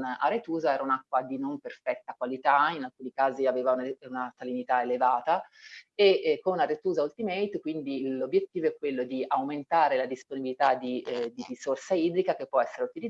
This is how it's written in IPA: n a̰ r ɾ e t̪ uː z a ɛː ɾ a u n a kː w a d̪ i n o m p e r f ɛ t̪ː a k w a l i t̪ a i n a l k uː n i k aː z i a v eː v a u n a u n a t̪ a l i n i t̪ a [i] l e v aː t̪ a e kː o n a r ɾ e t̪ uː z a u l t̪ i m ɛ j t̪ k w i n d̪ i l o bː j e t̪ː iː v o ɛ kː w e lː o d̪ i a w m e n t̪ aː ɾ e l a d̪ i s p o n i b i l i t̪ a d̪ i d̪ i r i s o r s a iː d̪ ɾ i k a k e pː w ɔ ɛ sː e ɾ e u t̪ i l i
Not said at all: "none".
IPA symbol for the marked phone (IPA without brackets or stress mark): e